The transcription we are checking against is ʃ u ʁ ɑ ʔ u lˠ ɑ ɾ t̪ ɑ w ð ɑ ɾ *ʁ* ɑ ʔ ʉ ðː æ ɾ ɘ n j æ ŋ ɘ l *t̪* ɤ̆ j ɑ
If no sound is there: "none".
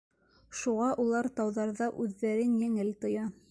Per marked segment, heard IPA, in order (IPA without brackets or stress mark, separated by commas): ð, t̪